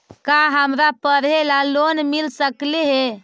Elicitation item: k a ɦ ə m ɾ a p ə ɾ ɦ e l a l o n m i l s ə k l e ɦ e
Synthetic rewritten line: k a ɦ ə m ɾ a p ə ɾ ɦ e l a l o n m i l s ə k l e ɦ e